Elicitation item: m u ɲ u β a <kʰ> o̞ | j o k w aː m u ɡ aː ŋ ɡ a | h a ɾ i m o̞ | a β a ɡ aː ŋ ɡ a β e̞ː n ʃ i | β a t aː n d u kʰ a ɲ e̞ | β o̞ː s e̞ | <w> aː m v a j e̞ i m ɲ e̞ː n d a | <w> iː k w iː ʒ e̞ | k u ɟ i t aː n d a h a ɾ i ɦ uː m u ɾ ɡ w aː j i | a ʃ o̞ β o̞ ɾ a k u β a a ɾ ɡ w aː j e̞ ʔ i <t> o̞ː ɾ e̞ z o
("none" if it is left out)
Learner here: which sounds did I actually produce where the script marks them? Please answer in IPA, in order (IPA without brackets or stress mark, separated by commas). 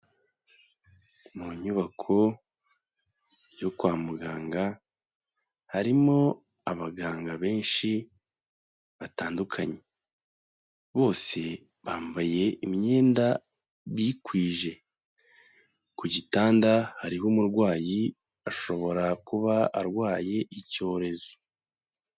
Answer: kʰ, β, β, c